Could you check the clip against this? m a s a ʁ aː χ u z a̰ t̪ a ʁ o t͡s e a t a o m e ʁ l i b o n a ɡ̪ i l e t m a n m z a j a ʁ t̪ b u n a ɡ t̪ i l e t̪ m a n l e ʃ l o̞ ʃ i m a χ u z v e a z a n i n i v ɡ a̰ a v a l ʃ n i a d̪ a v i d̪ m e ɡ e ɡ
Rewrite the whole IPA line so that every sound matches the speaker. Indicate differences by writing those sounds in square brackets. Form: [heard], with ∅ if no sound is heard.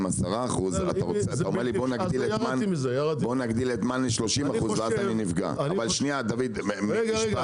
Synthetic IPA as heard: m a s a ʁ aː χ u z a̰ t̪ a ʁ o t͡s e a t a o m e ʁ l i b o n a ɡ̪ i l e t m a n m z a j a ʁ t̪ b [o] n a ɡ [d̪] i l e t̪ m a n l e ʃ l o̞ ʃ i m a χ u z v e a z a n i n i v ɡ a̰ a v a l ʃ n i a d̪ a v i d̪ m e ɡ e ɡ